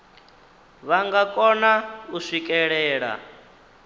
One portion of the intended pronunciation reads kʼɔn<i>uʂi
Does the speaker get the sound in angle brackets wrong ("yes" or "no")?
yes